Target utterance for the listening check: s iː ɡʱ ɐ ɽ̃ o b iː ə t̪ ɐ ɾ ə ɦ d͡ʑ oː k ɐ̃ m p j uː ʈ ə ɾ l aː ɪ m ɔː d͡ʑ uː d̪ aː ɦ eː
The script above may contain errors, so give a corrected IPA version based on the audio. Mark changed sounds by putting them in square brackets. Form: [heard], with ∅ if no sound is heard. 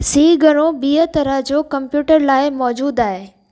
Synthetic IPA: s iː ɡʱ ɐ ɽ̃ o b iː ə t̪ ɐ ɾ ə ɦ d͡ʑ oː k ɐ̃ m p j uː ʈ ə ɾ l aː ɪ m ɔː d͡ʑ uː d̪ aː ɦ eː